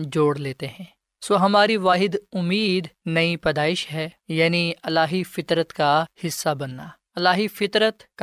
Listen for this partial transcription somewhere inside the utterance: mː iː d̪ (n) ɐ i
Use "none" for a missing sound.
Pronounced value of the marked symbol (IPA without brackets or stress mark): n